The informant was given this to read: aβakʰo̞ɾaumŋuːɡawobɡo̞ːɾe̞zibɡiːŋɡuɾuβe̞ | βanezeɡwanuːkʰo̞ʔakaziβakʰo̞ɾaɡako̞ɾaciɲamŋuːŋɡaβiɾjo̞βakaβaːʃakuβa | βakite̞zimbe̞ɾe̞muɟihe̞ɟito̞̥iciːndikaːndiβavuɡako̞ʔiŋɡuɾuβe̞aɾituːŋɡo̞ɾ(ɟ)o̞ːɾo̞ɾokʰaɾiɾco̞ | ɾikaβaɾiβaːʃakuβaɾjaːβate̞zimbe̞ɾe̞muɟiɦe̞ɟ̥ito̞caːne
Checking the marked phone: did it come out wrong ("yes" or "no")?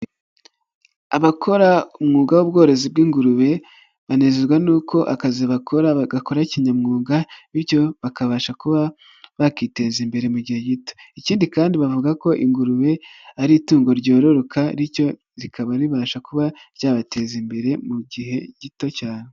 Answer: no